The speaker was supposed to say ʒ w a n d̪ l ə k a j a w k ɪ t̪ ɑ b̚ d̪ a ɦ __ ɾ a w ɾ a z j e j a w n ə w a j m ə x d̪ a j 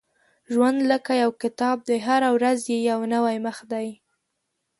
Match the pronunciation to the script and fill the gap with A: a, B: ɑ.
A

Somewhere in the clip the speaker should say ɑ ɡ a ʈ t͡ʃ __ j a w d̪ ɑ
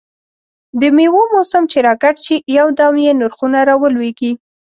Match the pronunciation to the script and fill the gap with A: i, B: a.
A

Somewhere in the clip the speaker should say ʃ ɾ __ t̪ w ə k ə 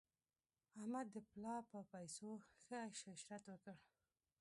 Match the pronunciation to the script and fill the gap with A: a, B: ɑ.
A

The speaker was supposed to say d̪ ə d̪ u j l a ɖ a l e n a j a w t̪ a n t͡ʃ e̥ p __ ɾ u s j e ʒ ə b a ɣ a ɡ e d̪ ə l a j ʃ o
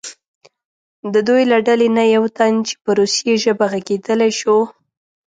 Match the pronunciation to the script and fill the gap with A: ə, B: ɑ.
A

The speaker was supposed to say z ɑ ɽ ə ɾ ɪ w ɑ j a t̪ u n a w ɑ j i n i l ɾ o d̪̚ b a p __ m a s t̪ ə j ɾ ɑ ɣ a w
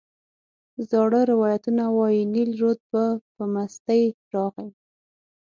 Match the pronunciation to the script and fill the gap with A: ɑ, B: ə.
B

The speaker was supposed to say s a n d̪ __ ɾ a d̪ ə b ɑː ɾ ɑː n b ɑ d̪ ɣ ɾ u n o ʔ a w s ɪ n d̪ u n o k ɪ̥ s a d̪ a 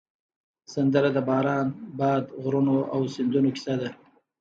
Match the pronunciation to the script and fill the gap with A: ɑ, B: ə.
B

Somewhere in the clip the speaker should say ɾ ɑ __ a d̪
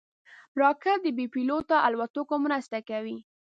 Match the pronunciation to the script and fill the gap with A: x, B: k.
B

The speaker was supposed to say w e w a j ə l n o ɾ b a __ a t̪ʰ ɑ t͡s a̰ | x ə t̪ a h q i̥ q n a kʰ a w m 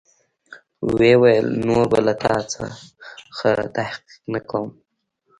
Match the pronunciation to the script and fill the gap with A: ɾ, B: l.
B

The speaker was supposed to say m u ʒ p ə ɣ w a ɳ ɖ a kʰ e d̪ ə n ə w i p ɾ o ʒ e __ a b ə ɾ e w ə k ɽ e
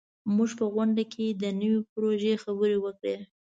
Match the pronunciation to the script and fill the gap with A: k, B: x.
B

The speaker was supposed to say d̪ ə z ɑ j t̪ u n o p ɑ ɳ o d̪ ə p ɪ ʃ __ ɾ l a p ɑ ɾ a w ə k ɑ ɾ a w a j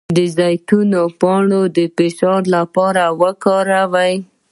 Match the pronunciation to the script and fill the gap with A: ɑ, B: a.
A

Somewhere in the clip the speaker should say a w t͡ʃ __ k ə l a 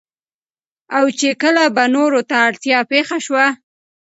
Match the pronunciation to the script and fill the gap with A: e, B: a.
A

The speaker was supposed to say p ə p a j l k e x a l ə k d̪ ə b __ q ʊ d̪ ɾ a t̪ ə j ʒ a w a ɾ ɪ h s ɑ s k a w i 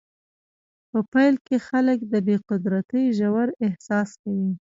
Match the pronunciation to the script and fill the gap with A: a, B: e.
B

